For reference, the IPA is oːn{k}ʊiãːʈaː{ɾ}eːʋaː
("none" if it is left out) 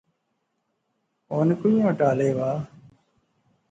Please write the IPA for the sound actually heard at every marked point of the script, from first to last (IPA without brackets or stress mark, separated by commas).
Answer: k, l